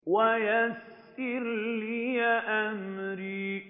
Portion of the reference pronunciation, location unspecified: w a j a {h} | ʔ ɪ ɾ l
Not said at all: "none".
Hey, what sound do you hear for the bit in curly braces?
s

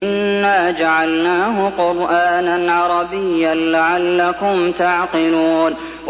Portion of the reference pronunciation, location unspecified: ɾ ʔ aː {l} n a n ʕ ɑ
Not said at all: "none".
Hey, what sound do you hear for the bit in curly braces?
none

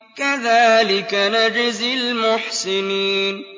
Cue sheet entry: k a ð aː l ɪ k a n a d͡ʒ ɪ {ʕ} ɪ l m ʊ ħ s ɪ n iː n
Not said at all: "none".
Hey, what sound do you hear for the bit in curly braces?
z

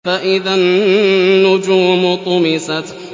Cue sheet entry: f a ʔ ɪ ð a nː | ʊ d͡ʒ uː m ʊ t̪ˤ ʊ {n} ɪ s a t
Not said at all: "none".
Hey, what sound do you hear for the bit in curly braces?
m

